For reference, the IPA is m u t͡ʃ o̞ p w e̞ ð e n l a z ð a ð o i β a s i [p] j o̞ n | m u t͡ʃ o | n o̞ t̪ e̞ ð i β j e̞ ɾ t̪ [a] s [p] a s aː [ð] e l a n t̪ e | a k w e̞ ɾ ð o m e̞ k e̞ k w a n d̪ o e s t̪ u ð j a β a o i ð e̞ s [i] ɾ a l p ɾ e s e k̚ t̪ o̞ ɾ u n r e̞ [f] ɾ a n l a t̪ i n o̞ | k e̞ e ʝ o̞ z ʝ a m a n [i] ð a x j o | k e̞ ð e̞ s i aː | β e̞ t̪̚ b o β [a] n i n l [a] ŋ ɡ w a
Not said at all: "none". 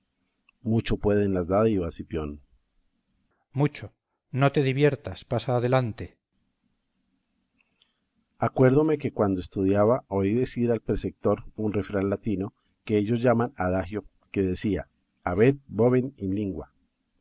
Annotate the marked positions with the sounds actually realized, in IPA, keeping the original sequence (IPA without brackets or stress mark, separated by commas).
p, a, p, ð, i, f, a, e, i